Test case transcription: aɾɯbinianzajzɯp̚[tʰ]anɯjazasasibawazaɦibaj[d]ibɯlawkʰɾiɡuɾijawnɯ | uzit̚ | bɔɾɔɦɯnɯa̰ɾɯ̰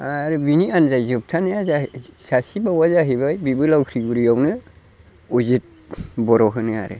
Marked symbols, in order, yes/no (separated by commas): yes, no